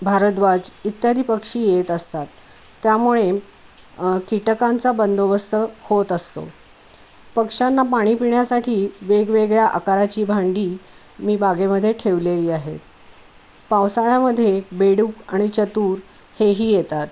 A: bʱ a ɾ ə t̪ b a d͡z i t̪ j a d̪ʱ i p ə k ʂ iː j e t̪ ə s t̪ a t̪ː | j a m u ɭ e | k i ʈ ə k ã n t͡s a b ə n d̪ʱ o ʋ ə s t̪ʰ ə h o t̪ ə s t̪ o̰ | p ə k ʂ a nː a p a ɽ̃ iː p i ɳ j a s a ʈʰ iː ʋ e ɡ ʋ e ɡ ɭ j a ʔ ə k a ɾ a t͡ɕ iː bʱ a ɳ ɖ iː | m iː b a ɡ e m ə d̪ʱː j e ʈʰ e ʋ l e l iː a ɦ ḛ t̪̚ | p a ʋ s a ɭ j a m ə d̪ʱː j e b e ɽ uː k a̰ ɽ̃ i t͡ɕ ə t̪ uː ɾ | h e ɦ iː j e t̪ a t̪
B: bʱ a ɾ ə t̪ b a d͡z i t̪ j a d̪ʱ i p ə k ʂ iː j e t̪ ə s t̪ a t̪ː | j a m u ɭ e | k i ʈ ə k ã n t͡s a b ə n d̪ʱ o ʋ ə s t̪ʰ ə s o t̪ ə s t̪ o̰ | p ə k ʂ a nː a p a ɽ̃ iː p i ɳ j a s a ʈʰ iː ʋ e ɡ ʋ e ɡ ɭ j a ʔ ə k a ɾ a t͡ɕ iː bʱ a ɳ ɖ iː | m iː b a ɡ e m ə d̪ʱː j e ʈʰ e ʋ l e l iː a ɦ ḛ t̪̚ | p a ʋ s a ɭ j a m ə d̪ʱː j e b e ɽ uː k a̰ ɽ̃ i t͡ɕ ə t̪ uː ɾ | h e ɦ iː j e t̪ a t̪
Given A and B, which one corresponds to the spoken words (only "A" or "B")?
A